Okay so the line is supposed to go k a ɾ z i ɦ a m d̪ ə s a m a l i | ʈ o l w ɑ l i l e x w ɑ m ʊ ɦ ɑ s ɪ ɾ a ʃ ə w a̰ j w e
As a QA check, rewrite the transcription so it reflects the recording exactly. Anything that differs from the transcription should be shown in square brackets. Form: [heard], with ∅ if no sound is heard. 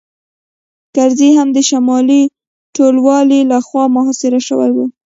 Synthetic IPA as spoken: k a ɾ z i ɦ a m d̪ ə [ʃ] a m [ɑ] l i | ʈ o l w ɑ l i l [a] x w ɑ m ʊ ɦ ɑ s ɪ ɾ a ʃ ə w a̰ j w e